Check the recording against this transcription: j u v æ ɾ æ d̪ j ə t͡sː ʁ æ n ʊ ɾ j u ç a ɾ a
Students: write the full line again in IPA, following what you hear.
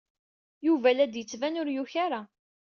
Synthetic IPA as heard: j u v æ l æ d̪ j ə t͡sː v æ n ʊ ɾ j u ç a ɾ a